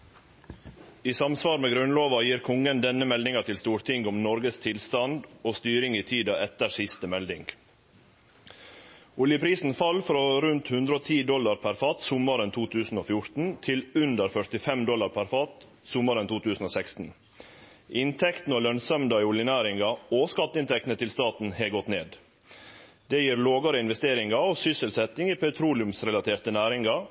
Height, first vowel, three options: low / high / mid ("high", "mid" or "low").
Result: high